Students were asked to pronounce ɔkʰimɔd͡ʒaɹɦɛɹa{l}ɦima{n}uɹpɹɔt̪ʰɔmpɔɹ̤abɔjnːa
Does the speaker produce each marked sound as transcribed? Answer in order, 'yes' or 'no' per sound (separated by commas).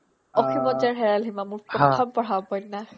yes, no